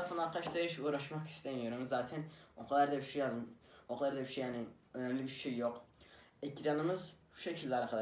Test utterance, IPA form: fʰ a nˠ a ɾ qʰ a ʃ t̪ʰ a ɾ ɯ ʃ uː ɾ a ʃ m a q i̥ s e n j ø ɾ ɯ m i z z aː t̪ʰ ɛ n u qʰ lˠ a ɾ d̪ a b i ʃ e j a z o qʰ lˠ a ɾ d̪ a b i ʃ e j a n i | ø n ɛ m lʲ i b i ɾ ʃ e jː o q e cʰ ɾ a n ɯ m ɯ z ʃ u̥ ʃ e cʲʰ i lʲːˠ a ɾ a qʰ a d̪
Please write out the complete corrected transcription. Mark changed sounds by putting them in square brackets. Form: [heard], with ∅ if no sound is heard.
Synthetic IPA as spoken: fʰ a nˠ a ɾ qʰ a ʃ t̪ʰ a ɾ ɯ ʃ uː ɾ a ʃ m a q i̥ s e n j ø ɾ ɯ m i z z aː t̪ʰ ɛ n [o] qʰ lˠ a ɾ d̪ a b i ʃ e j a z o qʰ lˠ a ɾ d̪ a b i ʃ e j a n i | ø n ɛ m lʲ i b i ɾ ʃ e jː o q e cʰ ɾ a n ɯ m ɯ z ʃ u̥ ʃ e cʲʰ i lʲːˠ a ɾ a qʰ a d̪